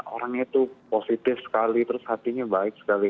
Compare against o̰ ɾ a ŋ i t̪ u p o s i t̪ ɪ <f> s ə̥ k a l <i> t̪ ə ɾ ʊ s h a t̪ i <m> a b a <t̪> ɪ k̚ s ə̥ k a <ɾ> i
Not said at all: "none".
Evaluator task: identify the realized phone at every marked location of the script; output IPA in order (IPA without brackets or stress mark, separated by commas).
f, i, ɲ, none, l